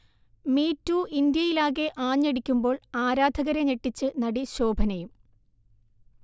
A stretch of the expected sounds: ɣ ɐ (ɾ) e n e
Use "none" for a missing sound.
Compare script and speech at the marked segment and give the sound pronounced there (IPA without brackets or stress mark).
ɾ